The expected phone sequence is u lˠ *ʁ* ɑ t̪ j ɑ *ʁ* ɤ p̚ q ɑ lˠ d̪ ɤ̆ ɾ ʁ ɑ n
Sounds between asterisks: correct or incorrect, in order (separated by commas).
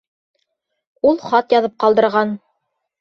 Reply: incorrect, incorrect